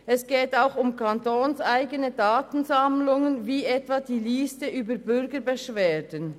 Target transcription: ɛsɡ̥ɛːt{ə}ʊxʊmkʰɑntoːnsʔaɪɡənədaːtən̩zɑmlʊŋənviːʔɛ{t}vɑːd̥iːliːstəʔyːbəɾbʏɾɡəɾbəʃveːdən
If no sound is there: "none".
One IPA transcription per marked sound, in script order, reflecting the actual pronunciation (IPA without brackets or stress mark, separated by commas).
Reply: a, t